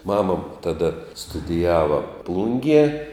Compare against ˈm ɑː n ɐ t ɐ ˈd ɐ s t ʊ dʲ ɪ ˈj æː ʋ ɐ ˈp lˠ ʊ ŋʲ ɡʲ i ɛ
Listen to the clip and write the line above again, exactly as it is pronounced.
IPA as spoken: ˈm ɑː m ɐ t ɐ ˈd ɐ s t ʊ dʲ ɪ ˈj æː ʋ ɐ ˈp lˠ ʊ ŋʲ ɡʲ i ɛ